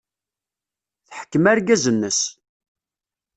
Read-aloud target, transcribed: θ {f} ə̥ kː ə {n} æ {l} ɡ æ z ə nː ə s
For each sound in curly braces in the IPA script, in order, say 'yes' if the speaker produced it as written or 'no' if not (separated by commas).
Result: no, no, no